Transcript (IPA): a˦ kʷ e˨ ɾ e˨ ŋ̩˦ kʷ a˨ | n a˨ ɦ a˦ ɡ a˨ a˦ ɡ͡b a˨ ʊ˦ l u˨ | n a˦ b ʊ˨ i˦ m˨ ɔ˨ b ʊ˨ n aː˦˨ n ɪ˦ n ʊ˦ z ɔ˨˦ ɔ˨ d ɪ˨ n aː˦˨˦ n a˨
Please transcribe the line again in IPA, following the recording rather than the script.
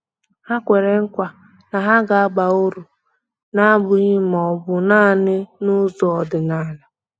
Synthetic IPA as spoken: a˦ kʷ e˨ ɾ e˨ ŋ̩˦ kʷ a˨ | n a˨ ɦ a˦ ɡ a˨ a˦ ɡ͡b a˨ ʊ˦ ɾ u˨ | n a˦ b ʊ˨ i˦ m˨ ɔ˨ b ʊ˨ n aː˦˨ n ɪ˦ n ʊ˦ z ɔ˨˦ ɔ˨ d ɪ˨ n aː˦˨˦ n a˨